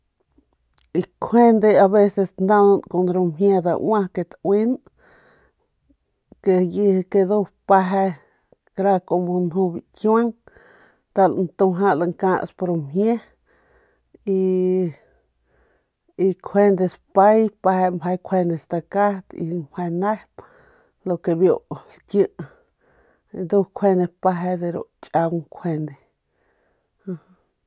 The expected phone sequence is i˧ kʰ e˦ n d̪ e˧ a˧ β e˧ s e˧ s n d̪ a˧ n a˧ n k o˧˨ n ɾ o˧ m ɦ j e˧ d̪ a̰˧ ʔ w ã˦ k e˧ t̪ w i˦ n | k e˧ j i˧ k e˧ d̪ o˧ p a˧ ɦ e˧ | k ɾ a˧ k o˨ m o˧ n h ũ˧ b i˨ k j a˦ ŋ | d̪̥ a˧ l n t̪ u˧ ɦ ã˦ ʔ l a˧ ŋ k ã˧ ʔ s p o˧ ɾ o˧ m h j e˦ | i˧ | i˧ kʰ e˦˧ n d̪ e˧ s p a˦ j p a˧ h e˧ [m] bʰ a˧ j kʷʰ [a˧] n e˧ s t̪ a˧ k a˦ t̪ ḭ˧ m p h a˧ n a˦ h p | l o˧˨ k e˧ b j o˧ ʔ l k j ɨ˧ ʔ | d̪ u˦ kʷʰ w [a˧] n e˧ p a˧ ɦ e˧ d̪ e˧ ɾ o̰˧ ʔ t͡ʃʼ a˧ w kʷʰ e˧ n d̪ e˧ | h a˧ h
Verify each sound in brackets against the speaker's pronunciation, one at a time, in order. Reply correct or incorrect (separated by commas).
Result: correct, incorrect, incorrect